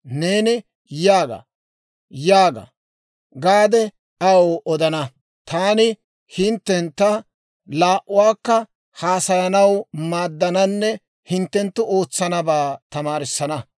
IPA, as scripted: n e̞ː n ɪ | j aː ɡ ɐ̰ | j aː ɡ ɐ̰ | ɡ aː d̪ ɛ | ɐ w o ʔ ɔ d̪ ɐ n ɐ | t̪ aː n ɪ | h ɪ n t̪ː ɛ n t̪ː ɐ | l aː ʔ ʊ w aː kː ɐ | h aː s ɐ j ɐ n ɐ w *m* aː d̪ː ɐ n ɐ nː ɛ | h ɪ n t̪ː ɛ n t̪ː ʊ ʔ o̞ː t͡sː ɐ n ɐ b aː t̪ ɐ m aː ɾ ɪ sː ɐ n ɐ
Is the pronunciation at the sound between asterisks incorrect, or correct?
correct